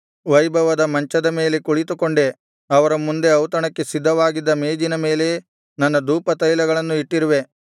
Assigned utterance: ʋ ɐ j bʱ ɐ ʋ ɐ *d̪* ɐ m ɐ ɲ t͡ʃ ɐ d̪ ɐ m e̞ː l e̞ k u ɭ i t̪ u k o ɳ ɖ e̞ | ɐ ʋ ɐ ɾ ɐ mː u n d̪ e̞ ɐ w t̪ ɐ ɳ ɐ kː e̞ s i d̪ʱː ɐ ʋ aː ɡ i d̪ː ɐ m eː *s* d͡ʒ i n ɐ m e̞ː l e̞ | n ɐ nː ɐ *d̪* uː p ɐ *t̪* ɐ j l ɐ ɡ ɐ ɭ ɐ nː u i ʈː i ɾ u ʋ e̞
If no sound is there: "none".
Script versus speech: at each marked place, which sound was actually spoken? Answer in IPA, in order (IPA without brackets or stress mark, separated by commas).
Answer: d̪, none, d̪, t̪